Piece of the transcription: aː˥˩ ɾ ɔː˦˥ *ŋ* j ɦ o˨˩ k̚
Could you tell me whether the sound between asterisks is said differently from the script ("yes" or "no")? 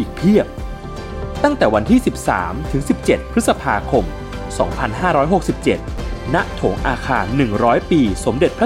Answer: yes